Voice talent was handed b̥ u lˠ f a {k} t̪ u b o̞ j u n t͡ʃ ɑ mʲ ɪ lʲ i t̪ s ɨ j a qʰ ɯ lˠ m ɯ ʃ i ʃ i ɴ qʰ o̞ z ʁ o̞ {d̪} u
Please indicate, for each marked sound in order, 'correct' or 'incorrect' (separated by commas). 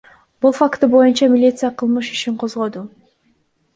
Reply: correct, correct